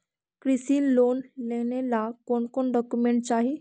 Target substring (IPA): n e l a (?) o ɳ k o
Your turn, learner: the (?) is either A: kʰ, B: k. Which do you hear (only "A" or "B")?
B